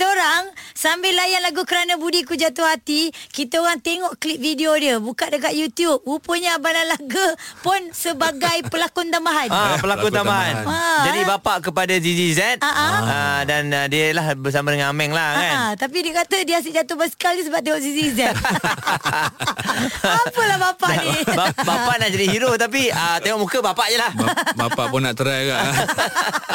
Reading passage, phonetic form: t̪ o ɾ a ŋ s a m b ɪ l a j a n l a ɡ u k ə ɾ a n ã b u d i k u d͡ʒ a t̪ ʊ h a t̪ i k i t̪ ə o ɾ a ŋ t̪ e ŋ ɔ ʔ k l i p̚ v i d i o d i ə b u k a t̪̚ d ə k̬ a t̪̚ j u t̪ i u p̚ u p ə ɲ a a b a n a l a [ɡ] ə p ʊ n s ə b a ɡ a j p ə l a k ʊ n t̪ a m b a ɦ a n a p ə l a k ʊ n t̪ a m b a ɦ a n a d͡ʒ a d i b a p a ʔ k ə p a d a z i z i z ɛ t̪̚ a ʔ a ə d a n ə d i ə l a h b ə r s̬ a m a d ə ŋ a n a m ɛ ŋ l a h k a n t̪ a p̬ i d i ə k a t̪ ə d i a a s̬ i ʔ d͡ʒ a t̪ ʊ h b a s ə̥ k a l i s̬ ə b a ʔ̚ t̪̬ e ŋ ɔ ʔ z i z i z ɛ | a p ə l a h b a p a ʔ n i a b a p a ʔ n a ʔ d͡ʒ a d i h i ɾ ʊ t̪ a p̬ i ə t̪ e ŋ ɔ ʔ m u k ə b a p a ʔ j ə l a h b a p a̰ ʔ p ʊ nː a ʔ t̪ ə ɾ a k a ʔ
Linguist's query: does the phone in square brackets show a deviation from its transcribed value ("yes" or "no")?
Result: no